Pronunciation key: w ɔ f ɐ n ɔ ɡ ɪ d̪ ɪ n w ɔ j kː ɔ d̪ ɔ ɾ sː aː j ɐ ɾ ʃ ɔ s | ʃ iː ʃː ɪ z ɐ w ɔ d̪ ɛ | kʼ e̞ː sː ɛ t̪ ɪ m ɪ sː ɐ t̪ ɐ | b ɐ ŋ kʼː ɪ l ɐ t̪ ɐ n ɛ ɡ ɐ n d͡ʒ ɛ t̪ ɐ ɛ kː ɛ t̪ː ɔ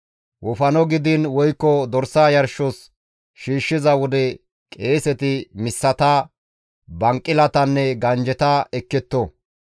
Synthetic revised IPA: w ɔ f ɐ n ɔ ɡ ɪ d̪ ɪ n w ɔ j kː ɔ d̪ ɔ ɾ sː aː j ɐ ɾ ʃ ɔ s | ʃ iː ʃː ɪ z ɐ w ɔ d̪ ɛ | kʼ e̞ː s ɛ t̪ ɪ m ɪ sː ɐ t̪ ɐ | b ɐ ŋ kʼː ɪ l ɐ t̪ ɐ nː ɛ ɡ ɐ n d͡ʒ ɛ t̪ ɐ ɛ kː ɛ t̪ː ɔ